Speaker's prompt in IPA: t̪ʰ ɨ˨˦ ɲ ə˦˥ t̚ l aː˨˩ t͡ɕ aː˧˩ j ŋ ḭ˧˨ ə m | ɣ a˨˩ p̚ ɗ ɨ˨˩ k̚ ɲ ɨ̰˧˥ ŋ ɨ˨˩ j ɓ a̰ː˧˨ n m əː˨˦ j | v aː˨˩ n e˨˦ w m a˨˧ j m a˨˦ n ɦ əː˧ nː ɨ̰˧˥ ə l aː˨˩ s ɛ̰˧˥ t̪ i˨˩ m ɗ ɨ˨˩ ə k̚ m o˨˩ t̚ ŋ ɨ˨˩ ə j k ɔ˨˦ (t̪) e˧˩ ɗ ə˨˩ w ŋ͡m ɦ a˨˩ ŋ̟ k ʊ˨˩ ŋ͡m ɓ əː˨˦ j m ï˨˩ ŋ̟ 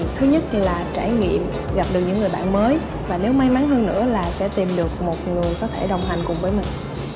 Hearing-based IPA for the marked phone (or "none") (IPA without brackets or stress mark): t̪ʰ